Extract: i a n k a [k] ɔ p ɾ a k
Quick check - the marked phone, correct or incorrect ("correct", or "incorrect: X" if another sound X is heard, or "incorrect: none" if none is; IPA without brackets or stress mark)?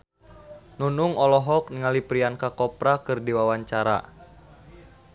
correct